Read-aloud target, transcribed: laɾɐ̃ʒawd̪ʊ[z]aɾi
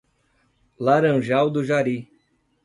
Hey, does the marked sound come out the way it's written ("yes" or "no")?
no